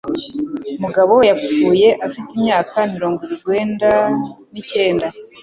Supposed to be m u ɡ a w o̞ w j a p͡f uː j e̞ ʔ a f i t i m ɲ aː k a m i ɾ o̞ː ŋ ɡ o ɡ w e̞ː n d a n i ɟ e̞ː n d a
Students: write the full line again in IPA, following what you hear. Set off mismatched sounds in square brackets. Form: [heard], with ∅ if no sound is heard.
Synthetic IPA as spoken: m u ɡ a [β] o̞ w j a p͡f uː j e̞ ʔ a f i t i m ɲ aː k a m i ɾ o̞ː ŋ ɡ o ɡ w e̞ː n d a n i [c] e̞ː n d a